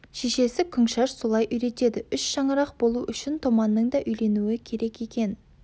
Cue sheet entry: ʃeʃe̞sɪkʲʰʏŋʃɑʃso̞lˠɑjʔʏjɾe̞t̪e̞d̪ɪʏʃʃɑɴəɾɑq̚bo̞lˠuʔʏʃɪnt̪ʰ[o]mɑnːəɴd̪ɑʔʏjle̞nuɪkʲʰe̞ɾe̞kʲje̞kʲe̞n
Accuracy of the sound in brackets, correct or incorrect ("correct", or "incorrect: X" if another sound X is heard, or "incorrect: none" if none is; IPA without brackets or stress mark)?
correct